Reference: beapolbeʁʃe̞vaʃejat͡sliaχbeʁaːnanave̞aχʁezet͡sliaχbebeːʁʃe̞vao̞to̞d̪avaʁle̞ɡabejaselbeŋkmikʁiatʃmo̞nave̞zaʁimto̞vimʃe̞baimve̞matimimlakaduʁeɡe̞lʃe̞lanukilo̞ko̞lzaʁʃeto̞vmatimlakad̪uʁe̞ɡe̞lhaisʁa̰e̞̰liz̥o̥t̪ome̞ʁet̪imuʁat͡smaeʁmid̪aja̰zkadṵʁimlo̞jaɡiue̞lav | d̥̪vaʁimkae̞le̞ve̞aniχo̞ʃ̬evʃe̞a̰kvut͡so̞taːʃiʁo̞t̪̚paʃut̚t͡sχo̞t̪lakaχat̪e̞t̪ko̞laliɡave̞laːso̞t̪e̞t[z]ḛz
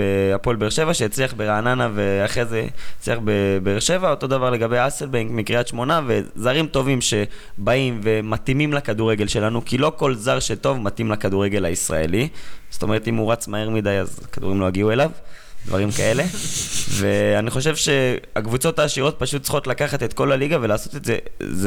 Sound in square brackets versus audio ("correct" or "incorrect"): correct